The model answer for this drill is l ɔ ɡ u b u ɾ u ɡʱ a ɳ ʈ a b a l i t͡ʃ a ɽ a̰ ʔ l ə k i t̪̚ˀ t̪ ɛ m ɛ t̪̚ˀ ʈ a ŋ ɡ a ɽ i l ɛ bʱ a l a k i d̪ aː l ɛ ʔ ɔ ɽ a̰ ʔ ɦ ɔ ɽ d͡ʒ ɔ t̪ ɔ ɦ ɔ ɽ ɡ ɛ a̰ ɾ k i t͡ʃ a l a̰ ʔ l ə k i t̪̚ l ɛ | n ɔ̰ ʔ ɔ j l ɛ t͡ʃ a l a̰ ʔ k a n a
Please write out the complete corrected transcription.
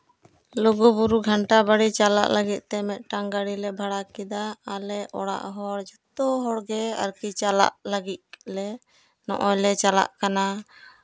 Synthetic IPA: l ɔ ɡ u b u ɾ u ɡʱ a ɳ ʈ a b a ɽ i t͡ʃ a l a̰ ʔ l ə ɡ i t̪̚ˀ t̪ ɛ m ɛ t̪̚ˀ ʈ a ŋ ɡ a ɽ i l ɛ bʱ a ɽ a k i d̪ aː l ɛ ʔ ɔ ɽ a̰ ʔ ɦ ɔ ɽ d͡ʒ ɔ t̪ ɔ ɦ ɔ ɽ ɡ ɛ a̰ ɾ k i t͡ʃ a l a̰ ʔ l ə ɡ i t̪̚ l ɛ | n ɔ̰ ʔ ɔ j l ɛ t͡ʃ a l a̰ ʔ k a n a